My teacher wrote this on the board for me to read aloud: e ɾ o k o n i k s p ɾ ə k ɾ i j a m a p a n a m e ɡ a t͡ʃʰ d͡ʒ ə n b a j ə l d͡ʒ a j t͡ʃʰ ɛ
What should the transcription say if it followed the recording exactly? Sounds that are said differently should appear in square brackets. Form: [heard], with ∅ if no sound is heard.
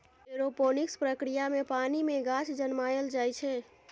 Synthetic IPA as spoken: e ɾ o [p] o n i k s p ɾ ə k ɾ i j a m [e] p a n [i] m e ɡ a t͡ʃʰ d͡ʒ ə n [m] a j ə l d͡ʒ a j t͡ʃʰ ɛ